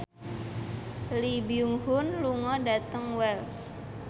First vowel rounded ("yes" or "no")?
no